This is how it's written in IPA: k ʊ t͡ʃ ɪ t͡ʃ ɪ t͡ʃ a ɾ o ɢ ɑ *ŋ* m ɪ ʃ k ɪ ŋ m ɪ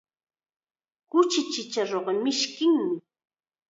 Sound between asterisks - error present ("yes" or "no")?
yes